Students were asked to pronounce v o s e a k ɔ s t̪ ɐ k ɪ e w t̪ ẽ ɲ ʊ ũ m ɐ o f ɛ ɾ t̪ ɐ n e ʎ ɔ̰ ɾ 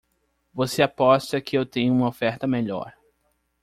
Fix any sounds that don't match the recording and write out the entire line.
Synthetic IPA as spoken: v o s e a p ɔ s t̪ ɐ k ɪ e w t̪ ẽ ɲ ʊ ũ m ɐ o f ɛ ɾ t̪ ɐ m e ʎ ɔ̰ ɾ